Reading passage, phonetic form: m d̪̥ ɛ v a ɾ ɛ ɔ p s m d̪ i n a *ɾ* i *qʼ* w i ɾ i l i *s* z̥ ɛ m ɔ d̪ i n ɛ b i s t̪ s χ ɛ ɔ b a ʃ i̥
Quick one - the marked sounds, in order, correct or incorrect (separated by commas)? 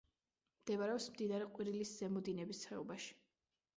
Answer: correct, correct, correct